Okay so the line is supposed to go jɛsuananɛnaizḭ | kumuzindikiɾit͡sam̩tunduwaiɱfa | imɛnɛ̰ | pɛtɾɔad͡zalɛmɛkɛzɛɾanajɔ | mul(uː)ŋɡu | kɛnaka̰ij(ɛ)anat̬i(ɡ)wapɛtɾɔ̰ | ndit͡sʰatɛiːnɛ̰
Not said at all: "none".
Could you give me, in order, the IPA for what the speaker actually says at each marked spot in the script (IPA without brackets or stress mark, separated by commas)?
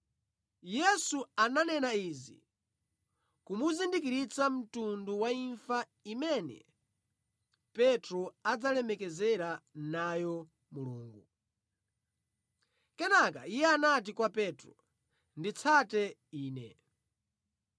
uː, ɛ, k